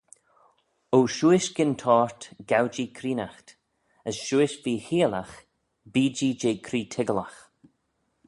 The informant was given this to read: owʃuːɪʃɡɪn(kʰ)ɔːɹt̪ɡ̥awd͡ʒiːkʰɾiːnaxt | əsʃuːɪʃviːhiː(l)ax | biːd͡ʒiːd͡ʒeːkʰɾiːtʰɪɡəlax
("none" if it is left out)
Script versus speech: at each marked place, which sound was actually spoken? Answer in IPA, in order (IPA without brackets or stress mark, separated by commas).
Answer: tʰ, l